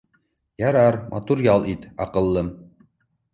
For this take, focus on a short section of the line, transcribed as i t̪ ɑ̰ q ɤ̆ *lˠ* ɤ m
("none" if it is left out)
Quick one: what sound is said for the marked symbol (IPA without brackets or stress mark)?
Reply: lˠː